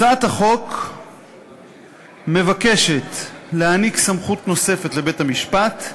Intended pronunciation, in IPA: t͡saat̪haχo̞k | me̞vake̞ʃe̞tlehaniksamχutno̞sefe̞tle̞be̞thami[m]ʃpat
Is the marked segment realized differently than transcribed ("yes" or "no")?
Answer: yes